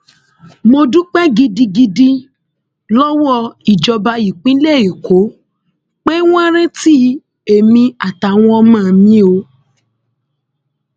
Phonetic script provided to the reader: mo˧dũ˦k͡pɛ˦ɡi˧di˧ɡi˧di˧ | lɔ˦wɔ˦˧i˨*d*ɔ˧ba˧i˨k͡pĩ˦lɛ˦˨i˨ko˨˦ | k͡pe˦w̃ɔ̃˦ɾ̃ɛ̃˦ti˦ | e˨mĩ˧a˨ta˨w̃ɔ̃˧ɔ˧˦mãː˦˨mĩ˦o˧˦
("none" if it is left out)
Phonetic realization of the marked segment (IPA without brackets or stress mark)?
d͡ʒ